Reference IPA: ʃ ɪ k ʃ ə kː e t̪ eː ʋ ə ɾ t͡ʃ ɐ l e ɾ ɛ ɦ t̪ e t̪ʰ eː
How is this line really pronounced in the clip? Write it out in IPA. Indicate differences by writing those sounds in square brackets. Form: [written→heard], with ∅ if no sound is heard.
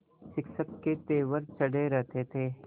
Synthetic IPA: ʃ ɪ k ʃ ə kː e t̪ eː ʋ ə ɾ t͡ʃ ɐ [l→ɽ] e ɾ ɛ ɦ t̪ e t̪ʰ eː